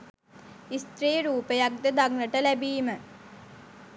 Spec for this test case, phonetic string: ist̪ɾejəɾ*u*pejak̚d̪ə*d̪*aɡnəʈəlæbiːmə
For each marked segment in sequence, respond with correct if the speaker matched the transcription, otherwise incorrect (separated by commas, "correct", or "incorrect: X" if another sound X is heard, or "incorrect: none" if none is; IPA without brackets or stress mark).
incorrect: uː, correct